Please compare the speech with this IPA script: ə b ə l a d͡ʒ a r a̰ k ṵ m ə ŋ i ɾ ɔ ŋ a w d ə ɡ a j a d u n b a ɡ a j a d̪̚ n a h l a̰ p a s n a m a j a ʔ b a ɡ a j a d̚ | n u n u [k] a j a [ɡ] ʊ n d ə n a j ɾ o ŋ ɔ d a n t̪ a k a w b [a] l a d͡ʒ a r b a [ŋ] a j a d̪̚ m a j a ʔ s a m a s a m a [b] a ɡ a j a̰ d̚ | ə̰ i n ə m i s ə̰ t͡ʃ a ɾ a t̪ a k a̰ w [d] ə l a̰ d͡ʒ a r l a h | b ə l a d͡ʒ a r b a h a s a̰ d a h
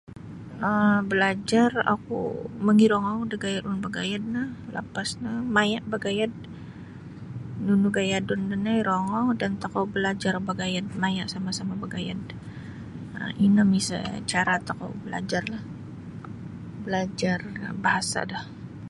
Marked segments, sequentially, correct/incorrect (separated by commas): incorrect, incorrect, incorrect, incorrect, correct, incorrect